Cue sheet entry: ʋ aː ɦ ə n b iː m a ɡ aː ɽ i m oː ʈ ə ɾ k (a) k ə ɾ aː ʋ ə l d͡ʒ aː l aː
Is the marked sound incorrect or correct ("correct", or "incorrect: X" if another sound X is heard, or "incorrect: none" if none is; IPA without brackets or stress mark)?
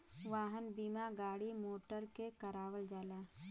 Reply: incorrect: e